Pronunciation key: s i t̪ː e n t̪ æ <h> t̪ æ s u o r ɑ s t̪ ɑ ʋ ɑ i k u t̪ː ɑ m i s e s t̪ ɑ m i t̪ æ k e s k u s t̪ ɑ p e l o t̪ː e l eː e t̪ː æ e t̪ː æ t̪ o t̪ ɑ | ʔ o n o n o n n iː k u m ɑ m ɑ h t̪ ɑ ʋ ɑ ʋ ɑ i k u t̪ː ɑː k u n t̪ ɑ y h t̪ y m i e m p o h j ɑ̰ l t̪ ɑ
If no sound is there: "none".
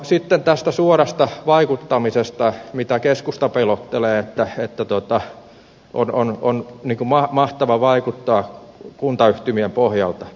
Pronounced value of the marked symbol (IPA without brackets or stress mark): s